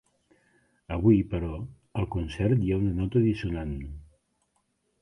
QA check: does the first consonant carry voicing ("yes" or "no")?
yes